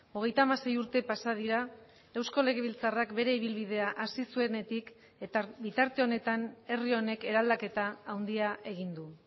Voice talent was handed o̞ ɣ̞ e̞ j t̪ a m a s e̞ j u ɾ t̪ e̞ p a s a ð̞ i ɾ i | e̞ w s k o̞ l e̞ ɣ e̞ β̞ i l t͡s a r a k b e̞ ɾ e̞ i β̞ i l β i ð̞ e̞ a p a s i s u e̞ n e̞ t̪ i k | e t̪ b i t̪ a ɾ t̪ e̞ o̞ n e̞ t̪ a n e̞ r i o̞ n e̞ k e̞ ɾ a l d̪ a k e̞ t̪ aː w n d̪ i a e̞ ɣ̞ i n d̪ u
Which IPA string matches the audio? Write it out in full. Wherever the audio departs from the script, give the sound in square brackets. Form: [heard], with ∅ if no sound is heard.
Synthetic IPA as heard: o̞ ɣ̞ e̞ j t̪ a m a s e̞ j u ɾ t̪ e̞ p a s a ð̞ i ɾ [a] | e̞ w s k o̞ l e̞ ɣ e̞ β̞ i l t͡s a r a k b e̞ ɾ e̞ i β̞ i l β i ð̞ e̞ a [ʔ] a s i s u e̞ n e̞ t̪ i k | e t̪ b i t̪ a ɾ t̪ e̞ o̞ n e̞ t̪ a n e̞ r i o̞ n e̞ k e̞ ɾ a l d̪ a k e̞ t̪ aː w n d̪ i a e̞ ɣ̞ i n d̪ u